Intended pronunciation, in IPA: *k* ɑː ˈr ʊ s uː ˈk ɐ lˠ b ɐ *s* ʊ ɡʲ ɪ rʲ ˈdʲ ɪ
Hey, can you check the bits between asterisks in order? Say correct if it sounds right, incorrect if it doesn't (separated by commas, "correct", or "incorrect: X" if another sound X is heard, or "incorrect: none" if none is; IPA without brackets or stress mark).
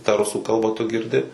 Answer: incorrect: t, incorrect: t